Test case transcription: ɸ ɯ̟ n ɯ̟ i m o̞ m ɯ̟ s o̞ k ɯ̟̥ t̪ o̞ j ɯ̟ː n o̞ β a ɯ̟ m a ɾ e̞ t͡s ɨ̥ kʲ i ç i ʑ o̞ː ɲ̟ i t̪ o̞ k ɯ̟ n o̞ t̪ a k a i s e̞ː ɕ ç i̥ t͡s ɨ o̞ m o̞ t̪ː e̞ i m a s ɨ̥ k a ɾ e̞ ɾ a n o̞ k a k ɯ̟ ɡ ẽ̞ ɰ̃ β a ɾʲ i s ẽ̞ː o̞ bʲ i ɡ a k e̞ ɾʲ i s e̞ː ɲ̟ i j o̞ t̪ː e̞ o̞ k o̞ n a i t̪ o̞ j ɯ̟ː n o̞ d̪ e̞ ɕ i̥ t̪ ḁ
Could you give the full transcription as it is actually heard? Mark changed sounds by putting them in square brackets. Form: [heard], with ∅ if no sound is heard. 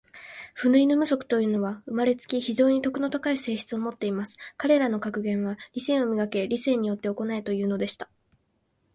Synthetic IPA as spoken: ɸ ɯ̟ n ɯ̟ i [n] o̞ m ɯ̟ s o̞ k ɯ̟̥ t̪ o̞ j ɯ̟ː n o̞ β a ɯ̟ m a ɾ e̞ t͡s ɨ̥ kʲ i ç i ʑ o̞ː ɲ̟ i t̪ o̞ k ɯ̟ n o̞ t̪ a k a i s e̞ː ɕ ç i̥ t͡s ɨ o̞ m o̞ t̪ː e̞ i m a s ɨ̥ k a ɾ e̞ ɾ a n o̞ k a k ɯ̟ ɡ ẽ̞ ɰ̃ β a ɾʲ i s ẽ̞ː o̞ [mʲ] i ɡ a k e̞ ɾʲ i s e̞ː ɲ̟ i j o̞ t̪ː e̞ o̞ k o̞ n a i t̪ o̞ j ɯ̟ː n o̞ d̪ e̞ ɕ i̥ t̪ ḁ